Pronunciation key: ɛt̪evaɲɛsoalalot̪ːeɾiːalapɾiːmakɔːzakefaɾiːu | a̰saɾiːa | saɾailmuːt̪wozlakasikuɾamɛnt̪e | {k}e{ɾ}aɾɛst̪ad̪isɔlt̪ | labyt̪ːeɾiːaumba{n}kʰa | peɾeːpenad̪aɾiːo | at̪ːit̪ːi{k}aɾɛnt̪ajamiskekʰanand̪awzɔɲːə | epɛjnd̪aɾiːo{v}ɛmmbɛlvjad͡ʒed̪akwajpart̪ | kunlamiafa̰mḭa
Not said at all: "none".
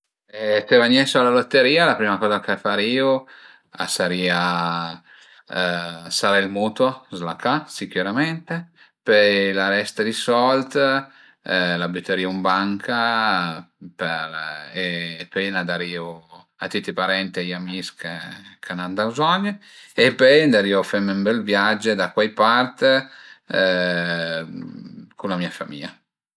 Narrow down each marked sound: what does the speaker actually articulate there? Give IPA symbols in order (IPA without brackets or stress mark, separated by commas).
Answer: p, l, ŋ, p, f